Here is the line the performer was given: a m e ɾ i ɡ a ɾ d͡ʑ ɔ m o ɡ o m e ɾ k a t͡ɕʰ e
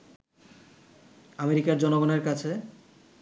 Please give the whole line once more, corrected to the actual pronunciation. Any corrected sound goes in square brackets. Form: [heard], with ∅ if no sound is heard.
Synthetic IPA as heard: a m e ɾ i [k] a ɾ d͡ʑ ɔ [n] o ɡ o [n] e ɾ k a t͡ɕʰ e